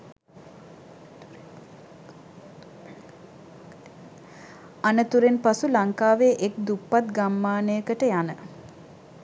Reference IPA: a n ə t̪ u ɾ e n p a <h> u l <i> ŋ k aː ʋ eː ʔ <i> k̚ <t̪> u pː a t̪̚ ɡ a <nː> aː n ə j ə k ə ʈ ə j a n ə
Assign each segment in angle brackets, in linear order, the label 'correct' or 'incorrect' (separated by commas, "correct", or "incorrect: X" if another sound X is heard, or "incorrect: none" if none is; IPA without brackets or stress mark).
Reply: incorrect: s, incorrect: a, incorrect: e, incorrect: d̪, incorrect: mː